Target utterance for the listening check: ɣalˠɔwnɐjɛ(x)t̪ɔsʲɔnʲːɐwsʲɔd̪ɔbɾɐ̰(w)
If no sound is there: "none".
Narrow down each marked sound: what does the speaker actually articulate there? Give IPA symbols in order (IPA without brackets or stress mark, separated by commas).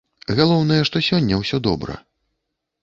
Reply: ʂ, none